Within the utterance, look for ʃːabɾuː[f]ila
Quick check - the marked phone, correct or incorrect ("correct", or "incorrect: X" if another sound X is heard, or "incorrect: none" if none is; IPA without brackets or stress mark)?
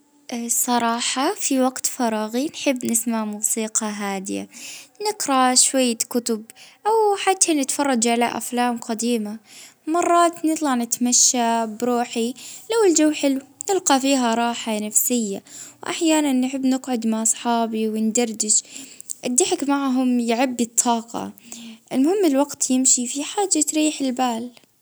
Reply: incorrect: ħ